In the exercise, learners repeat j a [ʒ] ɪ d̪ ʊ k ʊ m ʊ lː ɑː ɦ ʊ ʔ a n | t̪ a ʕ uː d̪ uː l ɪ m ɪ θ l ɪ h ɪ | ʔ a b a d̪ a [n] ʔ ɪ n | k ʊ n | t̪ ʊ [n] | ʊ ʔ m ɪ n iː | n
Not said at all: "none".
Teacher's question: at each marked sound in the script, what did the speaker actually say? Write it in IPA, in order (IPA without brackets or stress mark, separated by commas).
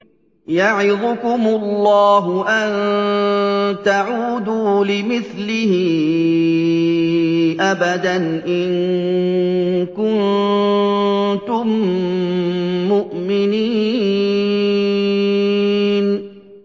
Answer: ʕ, n, m